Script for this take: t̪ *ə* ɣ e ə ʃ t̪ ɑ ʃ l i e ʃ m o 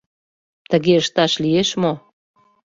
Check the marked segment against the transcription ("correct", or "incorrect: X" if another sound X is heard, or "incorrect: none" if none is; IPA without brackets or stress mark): correct